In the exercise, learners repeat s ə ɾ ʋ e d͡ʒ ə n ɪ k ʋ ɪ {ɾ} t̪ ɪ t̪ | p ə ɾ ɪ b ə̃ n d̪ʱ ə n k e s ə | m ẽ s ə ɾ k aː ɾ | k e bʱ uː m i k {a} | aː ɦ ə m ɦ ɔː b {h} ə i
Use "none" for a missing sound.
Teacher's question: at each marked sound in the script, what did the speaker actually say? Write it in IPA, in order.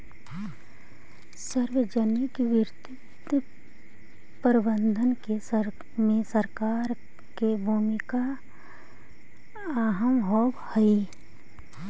ɾ, a, h

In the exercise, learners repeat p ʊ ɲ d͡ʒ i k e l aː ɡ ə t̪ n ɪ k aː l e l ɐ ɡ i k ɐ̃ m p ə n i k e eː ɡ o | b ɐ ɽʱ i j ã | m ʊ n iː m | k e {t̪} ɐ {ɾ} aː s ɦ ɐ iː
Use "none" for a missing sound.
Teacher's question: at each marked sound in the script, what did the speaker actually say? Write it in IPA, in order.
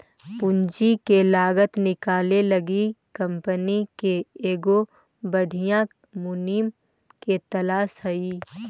t̪, l

